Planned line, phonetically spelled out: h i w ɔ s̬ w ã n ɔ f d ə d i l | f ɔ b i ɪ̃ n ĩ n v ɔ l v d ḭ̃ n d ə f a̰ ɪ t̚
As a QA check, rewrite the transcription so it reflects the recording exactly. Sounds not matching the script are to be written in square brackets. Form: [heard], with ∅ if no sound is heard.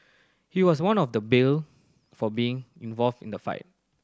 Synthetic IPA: h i w ɔ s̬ w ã n ɔ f d ə [b] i l | f ɔ b i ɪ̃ [ŋ] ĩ n v ɔ l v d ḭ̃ n d ə f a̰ ɪ t̚